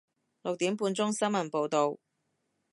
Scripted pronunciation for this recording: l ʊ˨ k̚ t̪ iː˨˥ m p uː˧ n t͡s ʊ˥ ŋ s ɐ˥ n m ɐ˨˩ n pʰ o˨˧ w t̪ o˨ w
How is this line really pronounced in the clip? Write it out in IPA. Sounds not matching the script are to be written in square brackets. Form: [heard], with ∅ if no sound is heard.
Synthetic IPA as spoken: l ʊ˨ k̚ t̪ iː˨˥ m p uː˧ n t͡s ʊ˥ ŋ s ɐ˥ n m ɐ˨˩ n [p] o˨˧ w t̪ o˨ w